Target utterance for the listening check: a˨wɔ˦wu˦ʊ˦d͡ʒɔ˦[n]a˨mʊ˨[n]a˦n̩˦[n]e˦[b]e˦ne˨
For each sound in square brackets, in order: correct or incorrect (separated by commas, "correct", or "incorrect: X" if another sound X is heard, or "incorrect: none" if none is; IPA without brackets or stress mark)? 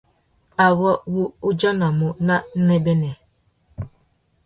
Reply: correct, correct, correct, correct